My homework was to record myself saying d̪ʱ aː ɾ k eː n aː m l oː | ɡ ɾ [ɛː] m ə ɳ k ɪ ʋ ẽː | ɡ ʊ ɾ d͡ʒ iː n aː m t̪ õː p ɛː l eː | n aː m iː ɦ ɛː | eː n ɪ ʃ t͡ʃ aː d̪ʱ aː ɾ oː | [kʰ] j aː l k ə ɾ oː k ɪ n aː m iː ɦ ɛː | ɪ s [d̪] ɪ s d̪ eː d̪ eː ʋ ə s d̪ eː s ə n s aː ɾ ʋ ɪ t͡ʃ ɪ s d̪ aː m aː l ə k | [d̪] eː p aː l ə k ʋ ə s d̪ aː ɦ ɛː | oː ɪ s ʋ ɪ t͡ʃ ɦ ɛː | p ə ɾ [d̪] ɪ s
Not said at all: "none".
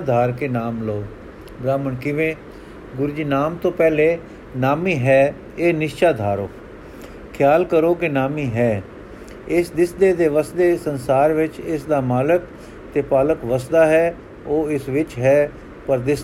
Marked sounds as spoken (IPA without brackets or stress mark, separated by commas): aː, kʰ, d̪, t̪, d̪